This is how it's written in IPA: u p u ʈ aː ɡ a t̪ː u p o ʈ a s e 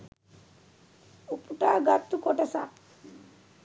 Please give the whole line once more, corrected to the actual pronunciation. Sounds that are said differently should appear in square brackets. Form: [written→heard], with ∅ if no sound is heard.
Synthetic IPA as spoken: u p u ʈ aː ɡ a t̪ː u [p→k] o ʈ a s [e→a]

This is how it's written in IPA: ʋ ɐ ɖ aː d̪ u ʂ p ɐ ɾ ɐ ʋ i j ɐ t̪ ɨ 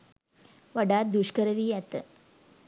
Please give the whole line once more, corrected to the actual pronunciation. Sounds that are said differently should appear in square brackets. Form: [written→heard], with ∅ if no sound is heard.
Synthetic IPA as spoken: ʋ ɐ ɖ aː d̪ u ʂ [p→k] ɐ ɾ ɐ ʋ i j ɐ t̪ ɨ

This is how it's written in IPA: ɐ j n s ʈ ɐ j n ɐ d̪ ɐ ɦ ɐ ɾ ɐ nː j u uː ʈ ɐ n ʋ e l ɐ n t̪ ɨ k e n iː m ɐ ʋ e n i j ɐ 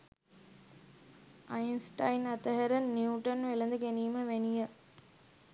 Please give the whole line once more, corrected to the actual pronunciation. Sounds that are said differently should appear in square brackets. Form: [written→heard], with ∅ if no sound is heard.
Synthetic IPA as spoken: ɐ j n s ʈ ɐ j n ɐ [d̪→t̪] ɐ ɦ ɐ ɾ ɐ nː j u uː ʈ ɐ n ʋ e l ɐ n [t̪→d̪] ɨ k e n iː m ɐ ʋ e n i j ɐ

